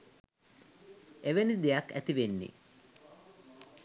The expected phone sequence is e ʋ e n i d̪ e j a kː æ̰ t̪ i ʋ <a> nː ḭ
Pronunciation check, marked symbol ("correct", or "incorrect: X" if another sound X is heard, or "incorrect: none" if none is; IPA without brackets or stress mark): incorrect: e